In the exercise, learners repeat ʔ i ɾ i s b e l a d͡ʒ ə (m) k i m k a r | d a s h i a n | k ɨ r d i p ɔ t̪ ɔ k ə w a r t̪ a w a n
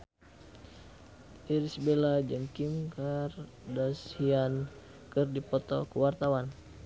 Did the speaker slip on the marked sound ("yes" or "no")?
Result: yes